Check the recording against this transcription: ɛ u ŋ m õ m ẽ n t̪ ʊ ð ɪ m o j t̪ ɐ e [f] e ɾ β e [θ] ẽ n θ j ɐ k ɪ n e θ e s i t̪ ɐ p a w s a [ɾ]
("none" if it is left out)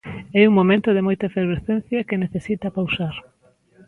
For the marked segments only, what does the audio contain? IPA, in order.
f, θ, ɾ

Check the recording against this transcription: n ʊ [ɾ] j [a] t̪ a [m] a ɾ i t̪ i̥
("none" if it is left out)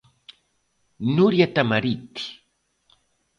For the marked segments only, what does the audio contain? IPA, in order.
ɾ, a, m

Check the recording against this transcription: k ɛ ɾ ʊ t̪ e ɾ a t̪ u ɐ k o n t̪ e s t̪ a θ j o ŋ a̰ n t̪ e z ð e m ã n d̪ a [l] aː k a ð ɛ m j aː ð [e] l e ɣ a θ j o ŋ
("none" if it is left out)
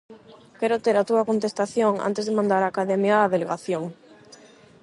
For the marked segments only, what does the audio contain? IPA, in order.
ɾ, e

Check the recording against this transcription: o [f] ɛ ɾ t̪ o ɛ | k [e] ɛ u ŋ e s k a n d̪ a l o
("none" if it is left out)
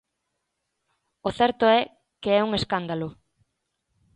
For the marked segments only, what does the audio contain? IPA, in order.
θ, e

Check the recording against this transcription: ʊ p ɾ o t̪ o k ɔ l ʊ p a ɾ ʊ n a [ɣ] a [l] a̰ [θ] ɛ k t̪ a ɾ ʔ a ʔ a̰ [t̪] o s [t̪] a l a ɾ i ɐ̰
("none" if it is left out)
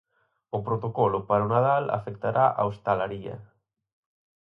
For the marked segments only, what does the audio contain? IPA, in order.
ð, l, f, none, t̪

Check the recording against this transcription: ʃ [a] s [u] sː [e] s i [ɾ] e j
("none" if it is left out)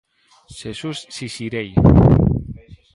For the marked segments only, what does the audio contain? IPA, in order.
e, u, i, ɾ

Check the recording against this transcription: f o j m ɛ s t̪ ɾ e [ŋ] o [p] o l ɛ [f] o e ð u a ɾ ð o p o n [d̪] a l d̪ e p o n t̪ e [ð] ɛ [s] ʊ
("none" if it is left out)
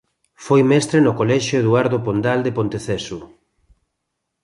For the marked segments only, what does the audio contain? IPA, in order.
n, k, ʃ, d̪, θ, s

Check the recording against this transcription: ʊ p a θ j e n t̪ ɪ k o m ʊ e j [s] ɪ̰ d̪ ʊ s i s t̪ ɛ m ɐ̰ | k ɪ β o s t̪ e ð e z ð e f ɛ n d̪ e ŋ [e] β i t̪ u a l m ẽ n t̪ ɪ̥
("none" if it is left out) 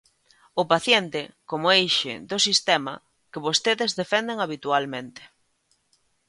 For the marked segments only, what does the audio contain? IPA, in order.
ʃ, a

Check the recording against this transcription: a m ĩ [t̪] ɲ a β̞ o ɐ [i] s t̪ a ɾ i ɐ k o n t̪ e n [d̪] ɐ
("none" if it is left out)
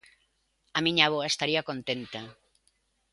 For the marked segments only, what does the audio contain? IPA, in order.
none, e, t̪

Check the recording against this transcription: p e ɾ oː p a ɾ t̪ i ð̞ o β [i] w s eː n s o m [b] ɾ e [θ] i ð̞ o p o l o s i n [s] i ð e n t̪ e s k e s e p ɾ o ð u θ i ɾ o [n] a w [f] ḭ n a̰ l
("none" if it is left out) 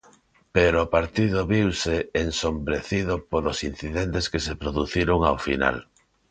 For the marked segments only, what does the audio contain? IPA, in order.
i, b, θ, θ, ŋ, f

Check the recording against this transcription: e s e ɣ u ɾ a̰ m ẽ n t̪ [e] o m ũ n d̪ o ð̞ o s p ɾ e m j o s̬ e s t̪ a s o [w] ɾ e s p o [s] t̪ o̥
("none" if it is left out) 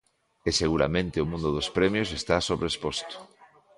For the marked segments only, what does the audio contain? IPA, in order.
e, β, s

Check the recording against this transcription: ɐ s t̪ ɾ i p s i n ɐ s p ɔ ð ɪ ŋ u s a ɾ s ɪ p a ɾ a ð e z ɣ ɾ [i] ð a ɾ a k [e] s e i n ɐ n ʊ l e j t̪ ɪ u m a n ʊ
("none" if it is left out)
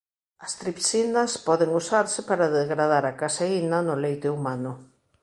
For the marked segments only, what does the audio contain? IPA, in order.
a, a

